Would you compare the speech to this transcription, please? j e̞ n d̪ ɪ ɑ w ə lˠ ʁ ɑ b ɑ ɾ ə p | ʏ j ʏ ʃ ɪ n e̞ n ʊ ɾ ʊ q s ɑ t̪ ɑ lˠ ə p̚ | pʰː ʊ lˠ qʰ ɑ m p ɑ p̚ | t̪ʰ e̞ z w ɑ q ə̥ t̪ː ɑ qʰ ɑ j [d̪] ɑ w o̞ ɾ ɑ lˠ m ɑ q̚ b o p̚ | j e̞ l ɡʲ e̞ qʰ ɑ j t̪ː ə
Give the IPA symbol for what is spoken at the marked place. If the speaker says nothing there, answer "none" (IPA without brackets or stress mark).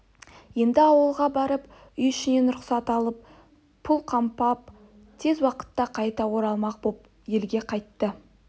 t̪